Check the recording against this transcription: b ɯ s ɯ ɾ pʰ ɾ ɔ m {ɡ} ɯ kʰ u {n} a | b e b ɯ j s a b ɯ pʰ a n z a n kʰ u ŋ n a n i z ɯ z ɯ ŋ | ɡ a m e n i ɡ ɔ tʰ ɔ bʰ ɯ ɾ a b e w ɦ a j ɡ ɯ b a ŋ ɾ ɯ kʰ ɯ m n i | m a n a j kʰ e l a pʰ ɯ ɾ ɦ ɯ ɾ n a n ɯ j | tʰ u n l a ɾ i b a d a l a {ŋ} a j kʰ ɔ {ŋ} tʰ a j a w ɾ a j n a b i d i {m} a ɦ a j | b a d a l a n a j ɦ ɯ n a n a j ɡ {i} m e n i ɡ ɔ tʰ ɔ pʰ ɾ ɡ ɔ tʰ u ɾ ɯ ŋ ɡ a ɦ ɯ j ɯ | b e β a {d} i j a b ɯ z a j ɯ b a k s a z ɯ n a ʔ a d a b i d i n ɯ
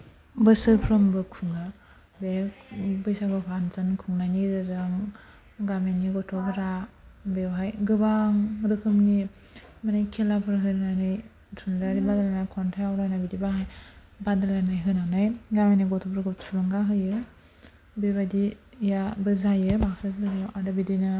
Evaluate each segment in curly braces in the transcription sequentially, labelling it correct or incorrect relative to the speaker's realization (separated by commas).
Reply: incorrect, incorrect, incorrect, incorrect, incorrect, incorrect, correct